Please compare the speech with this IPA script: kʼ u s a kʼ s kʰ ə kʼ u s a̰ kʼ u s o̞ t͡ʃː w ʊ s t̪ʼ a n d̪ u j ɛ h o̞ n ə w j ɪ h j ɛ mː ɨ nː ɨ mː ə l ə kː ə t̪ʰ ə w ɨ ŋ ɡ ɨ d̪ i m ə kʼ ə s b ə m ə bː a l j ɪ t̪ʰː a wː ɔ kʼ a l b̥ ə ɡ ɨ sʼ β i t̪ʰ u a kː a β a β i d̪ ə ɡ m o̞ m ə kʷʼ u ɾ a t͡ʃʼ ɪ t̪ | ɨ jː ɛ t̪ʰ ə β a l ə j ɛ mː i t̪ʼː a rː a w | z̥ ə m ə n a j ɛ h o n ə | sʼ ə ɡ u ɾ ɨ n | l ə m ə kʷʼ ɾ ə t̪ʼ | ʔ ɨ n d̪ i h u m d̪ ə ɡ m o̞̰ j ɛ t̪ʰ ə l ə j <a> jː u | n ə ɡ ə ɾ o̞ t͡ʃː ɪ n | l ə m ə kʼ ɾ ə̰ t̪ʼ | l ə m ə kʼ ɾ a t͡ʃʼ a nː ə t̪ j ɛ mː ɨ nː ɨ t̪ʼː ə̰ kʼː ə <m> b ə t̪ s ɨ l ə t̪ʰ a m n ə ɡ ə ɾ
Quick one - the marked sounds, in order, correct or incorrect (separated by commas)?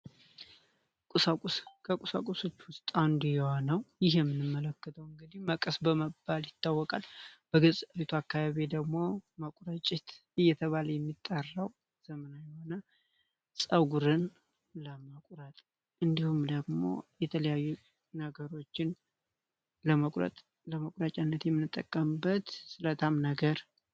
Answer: correct, correct